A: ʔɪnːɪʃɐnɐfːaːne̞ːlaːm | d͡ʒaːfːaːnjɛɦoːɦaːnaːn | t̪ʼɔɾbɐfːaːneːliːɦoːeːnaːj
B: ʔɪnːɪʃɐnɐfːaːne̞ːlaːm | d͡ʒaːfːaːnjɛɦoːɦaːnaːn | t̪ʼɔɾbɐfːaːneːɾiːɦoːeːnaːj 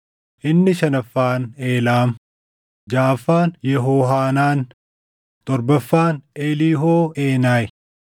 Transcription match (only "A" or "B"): A